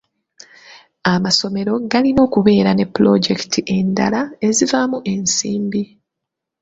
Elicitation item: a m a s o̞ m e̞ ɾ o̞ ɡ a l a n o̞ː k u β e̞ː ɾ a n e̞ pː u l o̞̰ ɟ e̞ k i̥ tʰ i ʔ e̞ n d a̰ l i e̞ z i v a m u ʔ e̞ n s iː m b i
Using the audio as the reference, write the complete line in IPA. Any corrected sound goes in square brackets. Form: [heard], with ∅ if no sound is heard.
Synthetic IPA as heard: a m a s o̞ m e̞ ɾ o̞ ɡ a l [i] n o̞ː k u β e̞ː ɾ a n e̞ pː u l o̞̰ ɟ e̞ k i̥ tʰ i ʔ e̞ n d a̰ l [a] e̞ z i v a m u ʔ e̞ n s iː m b i